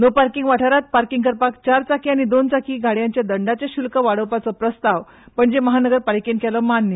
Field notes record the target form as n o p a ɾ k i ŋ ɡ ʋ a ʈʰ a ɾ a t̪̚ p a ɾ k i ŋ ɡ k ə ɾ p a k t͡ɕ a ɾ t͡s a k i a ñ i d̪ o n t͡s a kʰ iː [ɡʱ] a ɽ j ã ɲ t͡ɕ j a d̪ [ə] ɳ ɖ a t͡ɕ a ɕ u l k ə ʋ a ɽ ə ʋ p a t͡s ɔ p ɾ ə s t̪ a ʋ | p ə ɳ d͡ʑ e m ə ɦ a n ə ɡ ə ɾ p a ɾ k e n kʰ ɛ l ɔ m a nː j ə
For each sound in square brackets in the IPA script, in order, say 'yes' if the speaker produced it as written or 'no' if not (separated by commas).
yes, yes